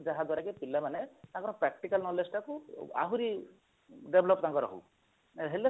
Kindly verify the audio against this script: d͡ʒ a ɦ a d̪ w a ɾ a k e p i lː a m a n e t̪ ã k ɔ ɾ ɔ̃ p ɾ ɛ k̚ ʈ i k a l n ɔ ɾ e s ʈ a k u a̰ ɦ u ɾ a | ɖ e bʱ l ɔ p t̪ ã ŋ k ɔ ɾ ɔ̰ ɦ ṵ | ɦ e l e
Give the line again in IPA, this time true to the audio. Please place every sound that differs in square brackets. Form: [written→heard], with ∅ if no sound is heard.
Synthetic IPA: d͡ʒ a ɦ a d̪ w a ɾ a k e p i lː a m a n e t̪ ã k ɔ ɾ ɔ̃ p ɾ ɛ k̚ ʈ i k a l n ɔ [ɾ→l] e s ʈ a k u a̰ ɦ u ɾ [a→i] | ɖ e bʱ l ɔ p t̪ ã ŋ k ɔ ɾ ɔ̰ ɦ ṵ | ɦ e l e